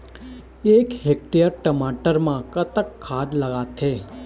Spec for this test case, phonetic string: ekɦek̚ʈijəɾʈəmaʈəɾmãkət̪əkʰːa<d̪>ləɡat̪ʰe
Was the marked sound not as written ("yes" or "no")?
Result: no